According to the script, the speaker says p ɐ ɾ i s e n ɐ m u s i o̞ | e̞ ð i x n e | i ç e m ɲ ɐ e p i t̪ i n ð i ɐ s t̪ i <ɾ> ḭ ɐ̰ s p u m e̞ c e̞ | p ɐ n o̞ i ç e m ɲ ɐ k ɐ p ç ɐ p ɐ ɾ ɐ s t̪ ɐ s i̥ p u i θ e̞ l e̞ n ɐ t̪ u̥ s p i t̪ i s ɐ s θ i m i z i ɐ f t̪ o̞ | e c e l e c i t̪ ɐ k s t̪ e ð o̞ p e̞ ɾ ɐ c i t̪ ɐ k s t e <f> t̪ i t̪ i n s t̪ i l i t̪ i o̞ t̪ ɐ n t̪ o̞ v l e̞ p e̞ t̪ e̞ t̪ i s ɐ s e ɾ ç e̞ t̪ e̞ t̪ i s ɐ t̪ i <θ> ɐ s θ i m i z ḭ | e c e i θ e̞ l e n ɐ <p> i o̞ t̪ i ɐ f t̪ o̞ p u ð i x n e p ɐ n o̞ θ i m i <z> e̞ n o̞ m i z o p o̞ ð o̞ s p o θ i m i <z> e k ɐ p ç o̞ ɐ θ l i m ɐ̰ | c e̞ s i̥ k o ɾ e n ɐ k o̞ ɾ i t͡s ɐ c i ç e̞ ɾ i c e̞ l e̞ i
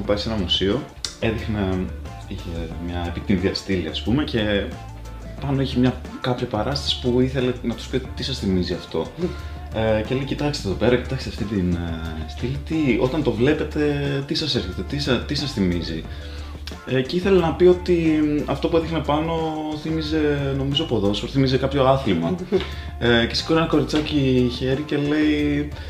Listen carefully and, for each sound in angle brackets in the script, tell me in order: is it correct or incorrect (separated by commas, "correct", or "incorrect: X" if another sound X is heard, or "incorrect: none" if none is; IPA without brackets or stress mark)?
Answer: incorrect: l, correct, incorrect: s, correct, correct, correct